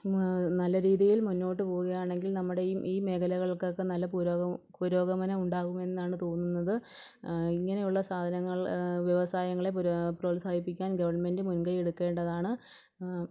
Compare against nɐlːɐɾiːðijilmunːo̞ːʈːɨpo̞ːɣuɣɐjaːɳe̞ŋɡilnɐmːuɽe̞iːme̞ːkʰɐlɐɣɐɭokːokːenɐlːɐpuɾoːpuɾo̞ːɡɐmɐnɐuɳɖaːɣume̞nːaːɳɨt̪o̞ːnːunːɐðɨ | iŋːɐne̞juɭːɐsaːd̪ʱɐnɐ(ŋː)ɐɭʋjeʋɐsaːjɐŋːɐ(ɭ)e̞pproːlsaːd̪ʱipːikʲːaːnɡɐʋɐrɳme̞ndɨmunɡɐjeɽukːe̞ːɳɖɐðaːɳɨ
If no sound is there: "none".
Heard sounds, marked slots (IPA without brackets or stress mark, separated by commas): ŋː, ɭ